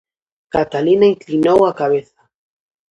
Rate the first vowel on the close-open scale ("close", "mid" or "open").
open